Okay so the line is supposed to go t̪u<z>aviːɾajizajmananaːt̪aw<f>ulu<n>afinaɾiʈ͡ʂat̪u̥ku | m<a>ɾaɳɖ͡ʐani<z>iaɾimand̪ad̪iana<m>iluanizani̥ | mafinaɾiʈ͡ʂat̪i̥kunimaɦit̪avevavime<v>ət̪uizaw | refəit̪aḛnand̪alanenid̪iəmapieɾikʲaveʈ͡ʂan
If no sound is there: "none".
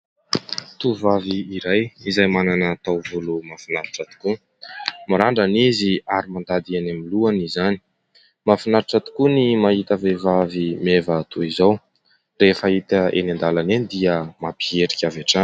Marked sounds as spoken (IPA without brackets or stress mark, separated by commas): v, v, m, a, z, m, v